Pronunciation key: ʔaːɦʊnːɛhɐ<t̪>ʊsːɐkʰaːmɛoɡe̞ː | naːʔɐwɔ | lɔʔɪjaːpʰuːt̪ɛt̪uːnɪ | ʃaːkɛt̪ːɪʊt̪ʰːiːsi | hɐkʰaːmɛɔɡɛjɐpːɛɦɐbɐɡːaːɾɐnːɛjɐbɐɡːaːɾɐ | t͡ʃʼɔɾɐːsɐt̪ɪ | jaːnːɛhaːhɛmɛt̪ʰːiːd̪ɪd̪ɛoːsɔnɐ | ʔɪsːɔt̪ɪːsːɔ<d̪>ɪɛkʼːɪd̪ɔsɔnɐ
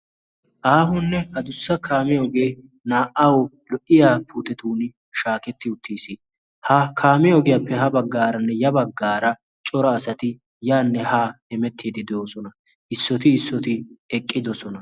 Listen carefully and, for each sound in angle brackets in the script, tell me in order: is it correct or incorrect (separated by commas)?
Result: incorrect, incorrect